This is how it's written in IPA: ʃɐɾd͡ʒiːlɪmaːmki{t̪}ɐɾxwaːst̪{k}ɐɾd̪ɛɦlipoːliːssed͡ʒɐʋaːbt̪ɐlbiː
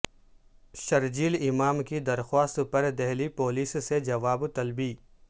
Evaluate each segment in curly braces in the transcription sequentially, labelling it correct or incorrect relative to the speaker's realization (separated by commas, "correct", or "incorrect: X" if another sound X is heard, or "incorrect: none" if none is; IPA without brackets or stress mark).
incorrect: d̪, incorrect: p